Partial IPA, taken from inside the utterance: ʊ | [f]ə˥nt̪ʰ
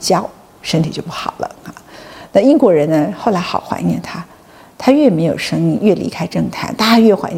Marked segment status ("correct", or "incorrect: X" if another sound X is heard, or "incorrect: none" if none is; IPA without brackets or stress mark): incorrect: ʂ